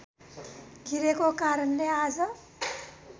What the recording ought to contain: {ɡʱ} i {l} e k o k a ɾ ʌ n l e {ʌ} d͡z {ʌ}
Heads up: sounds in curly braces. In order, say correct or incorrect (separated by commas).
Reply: correct, incorrect, incorrect, correct